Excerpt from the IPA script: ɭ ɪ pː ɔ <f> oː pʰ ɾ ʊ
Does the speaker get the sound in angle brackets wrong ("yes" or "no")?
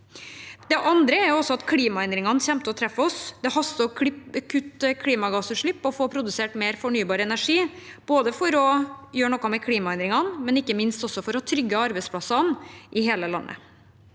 no